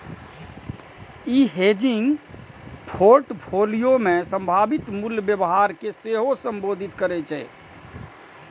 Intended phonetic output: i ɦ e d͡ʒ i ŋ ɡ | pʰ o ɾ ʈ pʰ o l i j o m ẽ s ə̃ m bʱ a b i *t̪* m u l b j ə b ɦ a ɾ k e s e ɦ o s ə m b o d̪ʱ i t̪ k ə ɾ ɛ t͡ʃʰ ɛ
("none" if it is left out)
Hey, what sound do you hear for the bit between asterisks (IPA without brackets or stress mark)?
t̪